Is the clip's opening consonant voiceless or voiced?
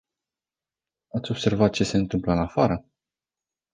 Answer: voiceless